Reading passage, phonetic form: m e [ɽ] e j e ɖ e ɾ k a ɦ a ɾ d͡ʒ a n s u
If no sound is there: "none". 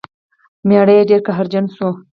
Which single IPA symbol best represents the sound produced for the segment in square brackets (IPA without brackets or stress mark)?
ɽ